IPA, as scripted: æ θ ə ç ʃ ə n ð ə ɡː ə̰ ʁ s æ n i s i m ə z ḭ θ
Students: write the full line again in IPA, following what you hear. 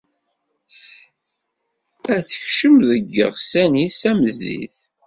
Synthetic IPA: æ θ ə ç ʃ ə m ð ə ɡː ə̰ ʁ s æ n i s æ m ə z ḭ θ

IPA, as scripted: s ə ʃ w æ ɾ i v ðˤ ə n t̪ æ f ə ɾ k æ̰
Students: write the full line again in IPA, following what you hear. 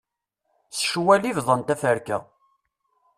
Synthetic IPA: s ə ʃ w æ l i v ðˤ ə n t̪ æ f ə ɾ k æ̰

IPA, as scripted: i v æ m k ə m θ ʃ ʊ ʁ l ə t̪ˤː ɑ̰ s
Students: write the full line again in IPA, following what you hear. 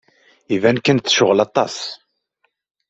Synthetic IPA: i v æ n k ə n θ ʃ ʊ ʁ l ɑ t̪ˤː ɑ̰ s

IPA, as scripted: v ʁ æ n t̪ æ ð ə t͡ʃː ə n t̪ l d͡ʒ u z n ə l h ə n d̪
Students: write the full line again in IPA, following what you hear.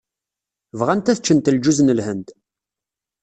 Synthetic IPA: v ʁ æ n t̪ æ θ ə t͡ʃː ə n t̪ l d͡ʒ u z n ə l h ə n d̪

